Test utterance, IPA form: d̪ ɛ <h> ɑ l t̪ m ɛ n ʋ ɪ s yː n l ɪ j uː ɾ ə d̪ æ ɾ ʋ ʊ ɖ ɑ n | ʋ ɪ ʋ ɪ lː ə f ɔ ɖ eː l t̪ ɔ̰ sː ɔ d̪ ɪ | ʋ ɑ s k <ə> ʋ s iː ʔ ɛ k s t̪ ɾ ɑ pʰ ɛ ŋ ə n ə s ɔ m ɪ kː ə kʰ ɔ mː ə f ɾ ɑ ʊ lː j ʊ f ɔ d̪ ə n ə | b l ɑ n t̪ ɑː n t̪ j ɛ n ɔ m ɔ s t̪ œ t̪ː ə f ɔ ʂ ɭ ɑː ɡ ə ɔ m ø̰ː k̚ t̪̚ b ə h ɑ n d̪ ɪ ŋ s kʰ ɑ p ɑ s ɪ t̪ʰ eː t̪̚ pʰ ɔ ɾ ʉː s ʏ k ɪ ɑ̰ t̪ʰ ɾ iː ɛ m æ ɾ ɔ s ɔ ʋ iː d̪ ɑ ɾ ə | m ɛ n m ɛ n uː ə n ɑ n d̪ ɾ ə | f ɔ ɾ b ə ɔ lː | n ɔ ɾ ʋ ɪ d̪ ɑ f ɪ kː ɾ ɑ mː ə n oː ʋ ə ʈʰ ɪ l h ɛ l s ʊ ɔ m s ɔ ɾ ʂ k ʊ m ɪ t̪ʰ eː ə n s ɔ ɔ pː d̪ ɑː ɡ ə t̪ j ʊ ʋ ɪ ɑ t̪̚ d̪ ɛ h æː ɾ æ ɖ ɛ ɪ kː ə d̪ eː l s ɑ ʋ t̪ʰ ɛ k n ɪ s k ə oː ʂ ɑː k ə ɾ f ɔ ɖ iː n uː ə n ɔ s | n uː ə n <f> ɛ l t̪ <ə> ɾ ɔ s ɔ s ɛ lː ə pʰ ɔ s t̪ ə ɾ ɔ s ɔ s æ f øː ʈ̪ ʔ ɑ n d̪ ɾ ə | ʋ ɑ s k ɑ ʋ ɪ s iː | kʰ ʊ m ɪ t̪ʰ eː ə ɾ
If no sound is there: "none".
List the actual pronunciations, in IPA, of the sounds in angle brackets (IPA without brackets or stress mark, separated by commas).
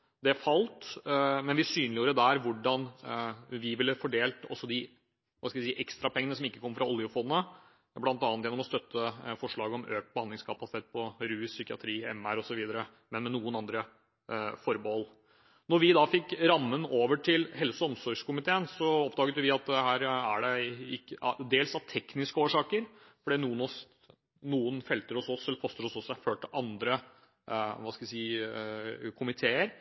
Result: f, ɑ, f, ə